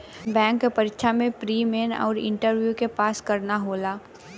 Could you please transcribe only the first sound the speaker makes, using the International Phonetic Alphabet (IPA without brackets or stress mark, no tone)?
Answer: b